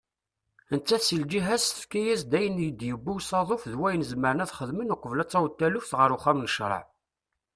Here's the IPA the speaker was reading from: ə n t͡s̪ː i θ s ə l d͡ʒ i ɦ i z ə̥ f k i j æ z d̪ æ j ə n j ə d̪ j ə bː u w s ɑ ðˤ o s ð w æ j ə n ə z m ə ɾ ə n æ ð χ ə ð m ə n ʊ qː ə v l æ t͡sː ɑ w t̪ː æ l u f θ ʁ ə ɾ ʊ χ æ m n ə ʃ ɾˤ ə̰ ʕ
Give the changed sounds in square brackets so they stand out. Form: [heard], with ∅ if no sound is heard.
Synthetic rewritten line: ə n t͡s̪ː [æ] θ s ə l d͡ʒ i ɦ [æ] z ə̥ f k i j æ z d̪ æ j ə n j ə d̪ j ə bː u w s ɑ ðˤ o [f] ð w æ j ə n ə z m ə ɾ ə n æ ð χ ə ð m ə n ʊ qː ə v l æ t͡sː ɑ w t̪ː æ l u f θ ʁ ə ɾ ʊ χ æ m n ə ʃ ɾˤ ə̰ ʕ